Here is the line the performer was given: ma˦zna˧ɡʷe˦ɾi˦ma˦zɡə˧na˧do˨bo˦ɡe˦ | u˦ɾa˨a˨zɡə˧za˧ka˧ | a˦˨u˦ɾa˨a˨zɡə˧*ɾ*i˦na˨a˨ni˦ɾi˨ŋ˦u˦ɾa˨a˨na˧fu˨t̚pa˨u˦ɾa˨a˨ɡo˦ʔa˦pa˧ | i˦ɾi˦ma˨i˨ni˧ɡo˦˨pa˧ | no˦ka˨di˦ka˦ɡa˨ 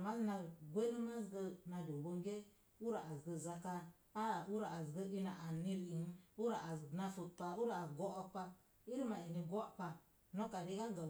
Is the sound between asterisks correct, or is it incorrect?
incorrect